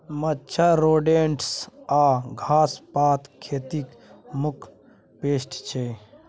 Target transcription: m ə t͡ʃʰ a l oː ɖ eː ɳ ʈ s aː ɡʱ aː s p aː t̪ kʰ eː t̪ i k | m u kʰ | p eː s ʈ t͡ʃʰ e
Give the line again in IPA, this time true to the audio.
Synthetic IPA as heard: m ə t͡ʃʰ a ɾ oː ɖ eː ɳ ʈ s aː ɡʱ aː s p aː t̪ kʰ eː t̪ i k | m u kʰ | p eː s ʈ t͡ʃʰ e